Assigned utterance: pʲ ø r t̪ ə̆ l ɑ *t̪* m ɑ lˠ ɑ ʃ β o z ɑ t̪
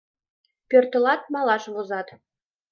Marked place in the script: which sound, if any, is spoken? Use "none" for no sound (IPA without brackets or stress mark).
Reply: t̪